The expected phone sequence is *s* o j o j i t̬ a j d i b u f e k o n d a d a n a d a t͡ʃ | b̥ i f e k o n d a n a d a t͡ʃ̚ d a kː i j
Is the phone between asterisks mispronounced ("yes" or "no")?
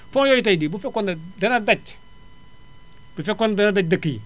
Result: yes